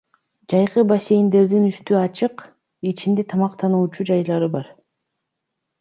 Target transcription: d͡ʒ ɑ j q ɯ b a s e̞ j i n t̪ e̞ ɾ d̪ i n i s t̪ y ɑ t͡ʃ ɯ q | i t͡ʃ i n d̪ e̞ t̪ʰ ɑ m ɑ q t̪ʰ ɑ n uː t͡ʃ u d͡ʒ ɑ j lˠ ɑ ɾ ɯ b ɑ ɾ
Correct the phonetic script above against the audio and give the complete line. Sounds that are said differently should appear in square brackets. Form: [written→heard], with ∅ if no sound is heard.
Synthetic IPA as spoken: d͡ʒ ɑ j q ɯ b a s e̞ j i n [t̪→d̪] e̞ ɾ d̪ i n [i→y] s t̪ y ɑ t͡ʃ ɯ q | i t͡ʃ i n d̪ e̞ t̪ʰ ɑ m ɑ q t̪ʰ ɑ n uː t͡ʃ u d͡ʒ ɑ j lˠ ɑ ɾ ɯ b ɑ ɾ